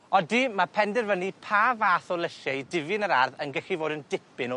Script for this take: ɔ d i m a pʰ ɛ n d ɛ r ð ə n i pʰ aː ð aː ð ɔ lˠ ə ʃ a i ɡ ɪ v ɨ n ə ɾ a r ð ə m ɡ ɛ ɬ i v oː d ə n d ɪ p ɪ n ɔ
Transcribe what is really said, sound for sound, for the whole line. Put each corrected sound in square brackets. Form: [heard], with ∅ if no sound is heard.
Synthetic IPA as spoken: ɔ d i m a pʰ ɛ n d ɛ r [v] ə n i pʰ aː [v] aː [θ] ɔ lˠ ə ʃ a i [d] ɪ v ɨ n ə ɾ a r ð ə [n] ɡ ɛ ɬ i v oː d ə n d ɪ p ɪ n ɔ